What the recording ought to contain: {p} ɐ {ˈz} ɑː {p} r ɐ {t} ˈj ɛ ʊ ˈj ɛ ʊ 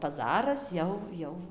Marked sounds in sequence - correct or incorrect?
correct, correct, incorrect: none, incorrect: s

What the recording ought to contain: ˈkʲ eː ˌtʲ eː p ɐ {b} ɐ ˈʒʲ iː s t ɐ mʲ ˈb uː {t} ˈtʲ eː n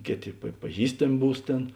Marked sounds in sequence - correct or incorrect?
incorrect: p, incorrect: s

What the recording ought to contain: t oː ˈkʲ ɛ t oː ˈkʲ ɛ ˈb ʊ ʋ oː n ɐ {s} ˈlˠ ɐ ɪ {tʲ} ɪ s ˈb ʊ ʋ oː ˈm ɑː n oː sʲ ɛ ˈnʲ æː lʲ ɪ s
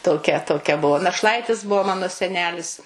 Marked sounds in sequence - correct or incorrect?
incorrect: ʃ, correct

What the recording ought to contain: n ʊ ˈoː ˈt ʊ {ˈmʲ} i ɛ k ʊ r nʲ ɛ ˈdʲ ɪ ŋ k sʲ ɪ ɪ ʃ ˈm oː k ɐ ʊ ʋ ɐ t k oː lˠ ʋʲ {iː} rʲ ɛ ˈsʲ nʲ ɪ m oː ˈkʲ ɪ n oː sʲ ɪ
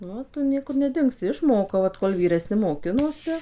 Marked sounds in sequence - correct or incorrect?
incorrect: nʲ, correct

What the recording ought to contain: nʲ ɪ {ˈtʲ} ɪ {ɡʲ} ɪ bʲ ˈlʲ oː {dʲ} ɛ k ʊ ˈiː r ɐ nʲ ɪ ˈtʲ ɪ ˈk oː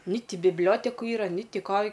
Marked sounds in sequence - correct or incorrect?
correct, incorrect: bʲ, incorrect: tʲ

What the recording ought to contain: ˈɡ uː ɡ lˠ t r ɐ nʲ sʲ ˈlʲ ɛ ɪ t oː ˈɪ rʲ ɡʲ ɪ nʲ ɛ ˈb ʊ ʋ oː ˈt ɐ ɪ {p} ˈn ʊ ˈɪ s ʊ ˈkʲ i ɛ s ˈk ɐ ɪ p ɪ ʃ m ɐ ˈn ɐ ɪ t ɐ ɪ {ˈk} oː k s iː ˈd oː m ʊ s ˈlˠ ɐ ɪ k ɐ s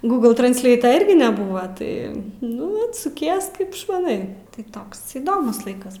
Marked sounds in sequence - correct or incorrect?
incorrect: none, incorrect: t

